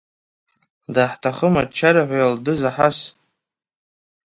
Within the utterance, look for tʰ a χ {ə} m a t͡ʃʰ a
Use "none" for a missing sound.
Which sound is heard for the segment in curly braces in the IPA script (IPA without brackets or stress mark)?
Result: ə